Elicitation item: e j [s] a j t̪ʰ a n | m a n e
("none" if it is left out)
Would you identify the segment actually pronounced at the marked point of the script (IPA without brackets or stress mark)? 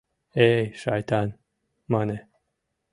ʃ